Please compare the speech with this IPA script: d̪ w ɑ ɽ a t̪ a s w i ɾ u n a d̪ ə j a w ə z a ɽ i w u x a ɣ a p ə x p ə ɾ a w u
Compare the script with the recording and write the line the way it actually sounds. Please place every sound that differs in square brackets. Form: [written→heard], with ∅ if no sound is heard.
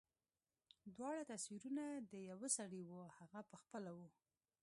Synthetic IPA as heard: d̪ w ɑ ɽ a t̪ a s w i ɾ u n a d̪ ə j a w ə [z→s] a ɽ i w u [x→h] a ɣ a p ə x p ə [ɾ→l] a w u